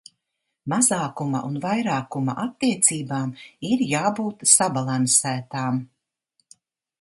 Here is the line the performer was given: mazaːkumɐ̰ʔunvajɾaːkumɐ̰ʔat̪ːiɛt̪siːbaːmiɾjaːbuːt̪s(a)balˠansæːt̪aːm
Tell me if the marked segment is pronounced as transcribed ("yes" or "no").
yes